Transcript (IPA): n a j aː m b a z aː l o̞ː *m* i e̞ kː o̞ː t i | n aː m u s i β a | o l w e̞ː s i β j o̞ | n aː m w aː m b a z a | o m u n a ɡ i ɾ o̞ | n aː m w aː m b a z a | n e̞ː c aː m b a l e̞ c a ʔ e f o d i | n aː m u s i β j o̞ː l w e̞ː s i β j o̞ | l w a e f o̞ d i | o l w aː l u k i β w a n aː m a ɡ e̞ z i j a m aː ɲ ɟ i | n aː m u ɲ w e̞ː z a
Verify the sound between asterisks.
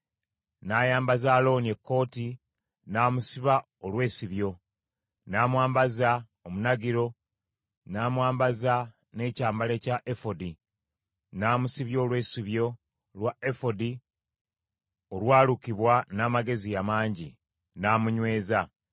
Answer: incorrect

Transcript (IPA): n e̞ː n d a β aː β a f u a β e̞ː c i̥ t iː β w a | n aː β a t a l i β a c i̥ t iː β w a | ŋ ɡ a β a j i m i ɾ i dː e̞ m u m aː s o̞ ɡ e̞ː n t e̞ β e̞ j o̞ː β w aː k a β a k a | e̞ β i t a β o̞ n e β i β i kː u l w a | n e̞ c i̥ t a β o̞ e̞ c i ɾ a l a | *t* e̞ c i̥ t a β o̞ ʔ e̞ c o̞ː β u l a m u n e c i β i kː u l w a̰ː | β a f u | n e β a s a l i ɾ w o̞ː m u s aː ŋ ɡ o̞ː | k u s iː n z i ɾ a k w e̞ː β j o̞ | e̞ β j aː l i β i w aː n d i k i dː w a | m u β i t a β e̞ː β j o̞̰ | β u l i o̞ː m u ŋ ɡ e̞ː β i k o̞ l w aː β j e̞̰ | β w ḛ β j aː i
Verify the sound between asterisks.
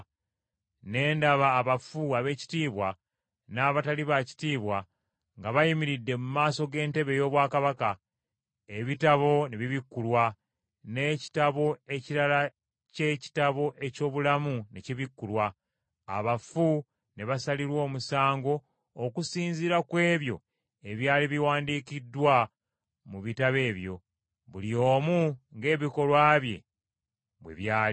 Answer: incorrect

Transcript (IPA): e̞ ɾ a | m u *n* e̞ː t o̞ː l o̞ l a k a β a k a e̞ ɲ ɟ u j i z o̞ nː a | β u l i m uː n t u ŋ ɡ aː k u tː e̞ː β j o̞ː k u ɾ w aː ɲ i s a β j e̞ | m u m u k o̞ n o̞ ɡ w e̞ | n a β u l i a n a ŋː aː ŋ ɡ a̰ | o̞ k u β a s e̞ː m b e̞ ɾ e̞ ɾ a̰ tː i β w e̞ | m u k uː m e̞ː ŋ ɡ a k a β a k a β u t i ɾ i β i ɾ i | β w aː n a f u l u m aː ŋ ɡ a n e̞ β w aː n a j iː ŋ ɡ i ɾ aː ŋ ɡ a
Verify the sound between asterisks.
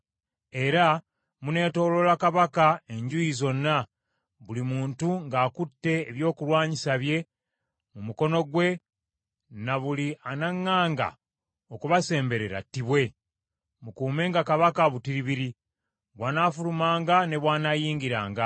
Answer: correct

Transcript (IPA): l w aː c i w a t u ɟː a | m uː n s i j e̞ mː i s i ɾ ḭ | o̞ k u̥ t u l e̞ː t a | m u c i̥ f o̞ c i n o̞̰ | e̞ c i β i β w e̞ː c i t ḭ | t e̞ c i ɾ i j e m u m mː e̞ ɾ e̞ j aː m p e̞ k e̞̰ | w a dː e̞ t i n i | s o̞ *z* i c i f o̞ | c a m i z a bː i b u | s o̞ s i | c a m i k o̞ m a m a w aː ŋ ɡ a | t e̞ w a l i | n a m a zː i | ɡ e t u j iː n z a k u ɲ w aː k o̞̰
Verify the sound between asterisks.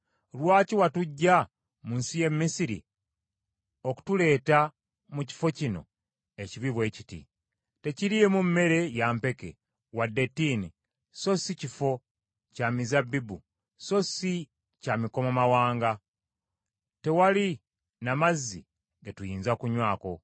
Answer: incorrect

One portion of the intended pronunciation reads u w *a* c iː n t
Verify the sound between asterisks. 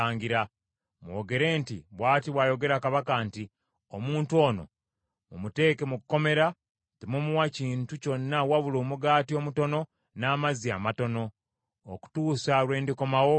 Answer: correct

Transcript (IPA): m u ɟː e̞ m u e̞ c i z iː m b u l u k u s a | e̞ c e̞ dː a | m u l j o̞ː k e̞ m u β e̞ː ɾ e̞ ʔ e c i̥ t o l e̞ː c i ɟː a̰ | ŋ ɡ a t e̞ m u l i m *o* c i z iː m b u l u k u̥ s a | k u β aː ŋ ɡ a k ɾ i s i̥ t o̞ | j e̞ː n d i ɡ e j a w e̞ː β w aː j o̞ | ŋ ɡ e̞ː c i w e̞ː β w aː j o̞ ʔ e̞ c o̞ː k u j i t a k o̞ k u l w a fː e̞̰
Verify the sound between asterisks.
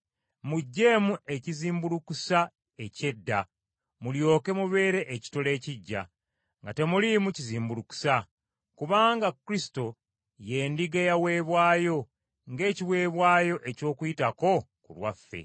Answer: incorrect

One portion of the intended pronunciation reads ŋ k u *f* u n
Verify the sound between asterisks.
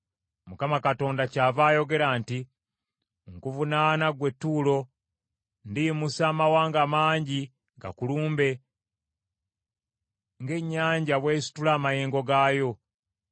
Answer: incorrect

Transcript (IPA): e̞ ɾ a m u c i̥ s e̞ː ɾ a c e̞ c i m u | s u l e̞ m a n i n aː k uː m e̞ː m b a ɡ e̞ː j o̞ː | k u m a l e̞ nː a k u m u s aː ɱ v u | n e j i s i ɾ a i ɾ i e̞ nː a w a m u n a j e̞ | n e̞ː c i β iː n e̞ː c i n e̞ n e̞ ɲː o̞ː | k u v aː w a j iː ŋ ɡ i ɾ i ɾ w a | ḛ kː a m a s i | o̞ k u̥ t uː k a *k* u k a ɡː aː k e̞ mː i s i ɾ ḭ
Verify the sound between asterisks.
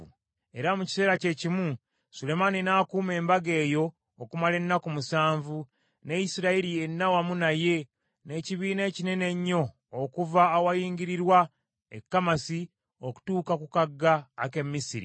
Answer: correct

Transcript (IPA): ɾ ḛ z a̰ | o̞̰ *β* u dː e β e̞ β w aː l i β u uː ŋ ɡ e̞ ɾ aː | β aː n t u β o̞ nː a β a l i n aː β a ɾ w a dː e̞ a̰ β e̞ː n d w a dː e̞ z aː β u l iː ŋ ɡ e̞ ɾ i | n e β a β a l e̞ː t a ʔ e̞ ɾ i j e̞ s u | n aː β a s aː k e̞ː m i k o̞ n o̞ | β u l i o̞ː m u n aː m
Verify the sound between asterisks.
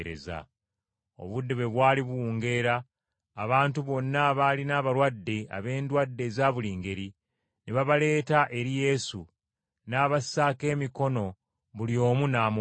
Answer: correct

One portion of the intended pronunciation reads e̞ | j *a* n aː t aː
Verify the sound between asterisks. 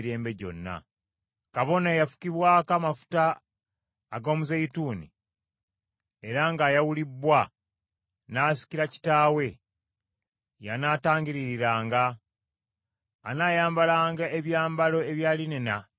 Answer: correct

